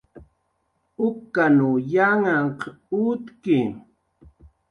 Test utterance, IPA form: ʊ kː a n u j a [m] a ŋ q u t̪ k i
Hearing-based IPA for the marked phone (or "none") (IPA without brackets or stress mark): ŋ